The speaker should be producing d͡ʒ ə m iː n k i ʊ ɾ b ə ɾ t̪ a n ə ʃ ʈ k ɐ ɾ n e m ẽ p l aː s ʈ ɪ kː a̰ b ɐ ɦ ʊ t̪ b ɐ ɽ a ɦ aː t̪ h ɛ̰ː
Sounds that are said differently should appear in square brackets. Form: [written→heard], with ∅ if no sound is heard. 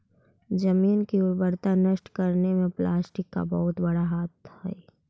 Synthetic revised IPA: d͡ʒ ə m iː n k i ʊ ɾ b ə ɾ t̪ a n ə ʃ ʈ k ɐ ɾ n e m ẽ p l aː s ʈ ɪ kː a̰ b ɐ ɦ ʊ t̪ b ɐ ɽ a ɦ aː t̪ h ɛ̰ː